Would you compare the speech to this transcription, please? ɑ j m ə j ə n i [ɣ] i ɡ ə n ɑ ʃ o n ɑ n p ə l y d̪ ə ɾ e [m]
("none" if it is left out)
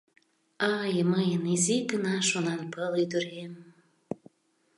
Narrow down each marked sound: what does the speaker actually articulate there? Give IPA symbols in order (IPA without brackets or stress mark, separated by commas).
z, m